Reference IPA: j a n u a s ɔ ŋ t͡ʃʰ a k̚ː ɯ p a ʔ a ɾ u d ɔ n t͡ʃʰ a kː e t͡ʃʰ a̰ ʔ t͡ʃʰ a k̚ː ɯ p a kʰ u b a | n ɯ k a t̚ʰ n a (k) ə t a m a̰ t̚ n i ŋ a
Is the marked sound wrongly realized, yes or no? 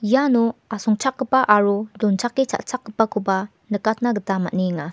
yes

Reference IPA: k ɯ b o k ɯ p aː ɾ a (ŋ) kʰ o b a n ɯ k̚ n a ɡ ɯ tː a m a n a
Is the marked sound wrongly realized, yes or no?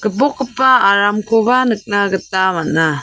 yes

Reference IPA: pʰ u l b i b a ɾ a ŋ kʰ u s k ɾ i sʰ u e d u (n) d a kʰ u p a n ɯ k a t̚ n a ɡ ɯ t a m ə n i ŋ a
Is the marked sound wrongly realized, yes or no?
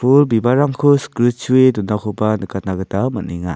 no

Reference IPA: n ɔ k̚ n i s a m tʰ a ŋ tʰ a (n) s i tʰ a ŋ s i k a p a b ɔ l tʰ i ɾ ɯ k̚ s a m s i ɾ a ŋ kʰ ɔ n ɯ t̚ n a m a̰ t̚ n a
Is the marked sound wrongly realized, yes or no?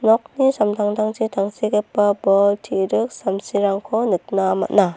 yes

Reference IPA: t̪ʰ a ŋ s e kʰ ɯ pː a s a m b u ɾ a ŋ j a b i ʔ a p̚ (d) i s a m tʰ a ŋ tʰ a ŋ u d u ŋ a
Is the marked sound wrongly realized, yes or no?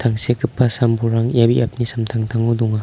yes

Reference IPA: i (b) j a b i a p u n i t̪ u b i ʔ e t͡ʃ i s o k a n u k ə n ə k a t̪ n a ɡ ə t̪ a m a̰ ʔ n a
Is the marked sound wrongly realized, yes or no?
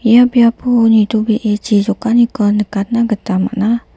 yes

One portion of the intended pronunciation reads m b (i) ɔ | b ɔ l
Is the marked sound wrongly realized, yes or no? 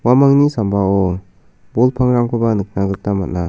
yes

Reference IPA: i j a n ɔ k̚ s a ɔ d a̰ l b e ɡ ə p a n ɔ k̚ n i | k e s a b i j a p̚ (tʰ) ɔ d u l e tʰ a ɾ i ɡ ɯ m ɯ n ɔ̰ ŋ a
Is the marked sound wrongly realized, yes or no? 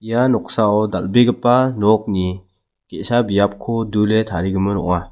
yes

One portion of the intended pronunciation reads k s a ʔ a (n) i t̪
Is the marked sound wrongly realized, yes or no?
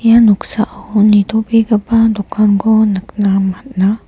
no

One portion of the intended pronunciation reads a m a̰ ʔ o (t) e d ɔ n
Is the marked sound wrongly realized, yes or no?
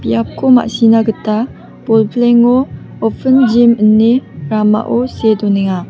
yes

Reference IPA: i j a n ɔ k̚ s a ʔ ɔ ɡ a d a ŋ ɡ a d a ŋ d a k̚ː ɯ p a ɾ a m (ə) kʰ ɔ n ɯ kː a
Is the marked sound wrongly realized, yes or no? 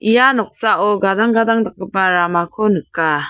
yes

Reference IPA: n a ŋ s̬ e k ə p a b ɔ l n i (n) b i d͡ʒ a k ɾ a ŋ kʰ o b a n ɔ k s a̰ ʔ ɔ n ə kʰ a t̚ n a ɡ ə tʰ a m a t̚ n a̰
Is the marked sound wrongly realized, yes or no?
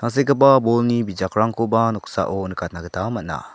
yes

